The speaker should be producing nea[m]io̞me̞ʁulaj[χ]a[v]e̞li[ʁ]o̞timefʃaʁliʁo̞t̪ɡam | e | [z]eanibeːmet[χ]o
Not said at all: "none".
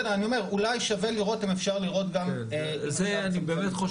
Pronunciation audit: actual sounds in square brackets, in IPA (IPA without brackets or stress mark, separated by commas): n, ʃ, v, ʁ, z, χ